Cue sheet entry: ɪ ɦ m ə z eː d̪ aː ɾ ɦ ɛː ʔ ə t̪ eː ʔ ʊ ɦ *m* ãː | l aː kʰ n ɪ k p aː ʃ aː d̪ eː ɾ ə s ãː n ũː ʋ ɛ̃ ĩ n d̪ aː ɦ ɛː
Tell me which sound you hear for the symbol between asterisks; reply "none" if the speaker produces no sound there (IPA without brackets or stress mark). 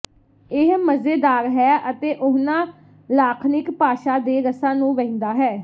n